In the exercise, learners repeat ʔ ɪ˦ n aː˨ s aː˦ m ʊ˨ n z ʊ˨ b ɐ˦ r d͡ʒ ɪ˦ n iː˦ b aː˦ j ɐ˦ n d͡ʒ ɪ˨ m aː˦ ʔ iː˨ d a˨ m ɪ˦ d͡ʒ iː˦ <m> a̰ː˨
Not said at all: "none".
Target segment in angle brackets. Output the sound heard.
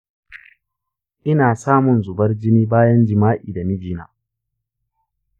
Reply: n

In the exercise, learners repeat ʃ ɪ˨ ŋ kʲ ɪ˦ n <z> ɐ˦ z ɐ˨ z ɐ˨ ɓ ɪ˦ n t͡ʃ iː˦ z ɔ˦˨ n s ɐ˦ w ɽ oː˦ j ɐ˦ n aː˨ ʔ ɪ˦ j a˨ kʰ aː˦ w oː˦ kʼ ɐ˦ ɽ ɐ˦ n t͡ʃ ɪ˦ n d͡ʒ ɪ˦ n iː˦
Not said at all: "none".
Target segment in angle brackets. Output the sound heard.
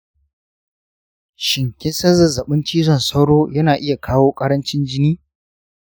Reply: s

